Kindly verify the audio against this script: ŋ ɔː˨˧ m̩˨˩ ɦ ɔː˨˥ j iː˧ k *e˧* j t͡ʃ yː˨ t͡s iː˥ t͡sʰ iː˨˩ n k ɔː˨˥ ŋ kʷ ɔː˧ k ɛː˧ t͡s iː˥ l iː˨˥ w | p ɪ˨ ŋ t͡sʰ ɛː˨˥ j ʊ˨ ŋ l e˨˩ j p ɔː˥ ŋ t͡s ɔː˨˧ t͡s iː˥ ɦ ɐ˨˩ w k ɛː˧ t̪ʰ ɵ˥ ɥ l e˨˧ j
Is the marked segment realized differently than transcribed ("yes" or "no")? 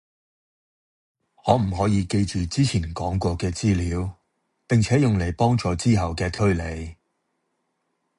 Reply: no